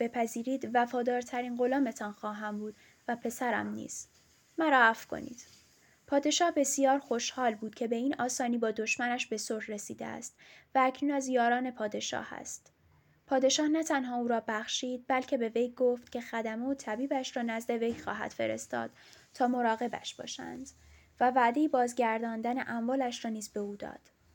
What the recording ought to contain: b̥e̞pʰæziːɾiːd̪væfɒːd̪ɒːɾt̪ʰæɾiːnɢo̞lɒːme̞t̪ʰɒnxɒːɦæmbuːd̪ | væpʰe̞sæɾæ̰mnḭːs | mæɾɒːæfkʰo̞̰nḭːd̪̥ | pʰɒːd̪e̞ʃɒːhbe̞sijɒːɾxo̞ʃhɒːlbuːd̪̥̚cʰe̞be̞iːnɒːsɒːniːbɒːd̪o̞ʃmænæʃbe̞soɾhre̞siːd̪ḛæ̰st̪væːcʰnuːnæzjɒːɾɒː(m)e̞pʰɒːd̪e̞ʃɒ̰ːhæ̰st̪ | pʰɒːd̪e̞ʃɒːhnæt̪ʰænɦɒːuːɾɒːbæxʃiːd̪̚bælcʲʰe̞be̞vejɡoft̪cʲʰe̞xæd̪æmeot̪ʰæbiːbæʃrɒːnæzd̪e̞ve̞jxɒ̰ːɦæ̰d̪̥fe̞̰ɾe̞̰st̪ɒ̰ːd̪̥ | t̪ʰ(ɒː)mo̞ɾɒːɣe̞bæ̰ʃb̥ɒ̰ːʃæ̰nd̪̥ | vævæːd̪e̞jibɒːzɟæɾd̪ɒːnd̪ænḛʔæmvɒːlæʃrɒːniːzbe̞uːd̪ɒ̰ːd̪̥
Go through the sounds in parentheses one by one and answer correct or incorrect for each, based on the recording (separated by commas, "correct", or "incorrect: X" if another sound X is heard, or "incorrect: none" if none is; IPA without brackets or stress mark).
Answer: incorrect: n, correct